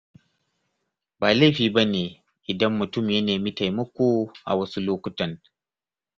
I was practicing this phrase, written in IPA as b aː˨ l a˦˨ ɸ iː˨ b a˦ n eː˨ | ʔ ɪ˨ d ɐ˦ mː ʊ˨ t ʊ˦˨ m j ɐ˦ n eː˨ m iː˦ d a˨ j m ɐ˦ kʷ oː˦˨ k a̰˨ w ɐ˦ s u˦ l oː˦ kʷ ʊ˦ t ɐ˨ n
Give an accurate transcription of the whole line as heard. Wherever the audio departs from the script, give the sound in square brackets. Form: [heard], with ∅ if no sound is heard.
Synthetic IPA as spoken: b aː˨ l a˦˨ ɸ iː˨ b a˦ n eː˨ | ʔ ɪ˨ d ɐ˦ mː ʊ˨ t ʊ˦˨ m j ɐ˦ n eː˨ m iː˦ [t] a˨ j m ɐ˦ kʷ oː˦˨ [ʔ] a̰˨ w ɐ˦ s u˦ l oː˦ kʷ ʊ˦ t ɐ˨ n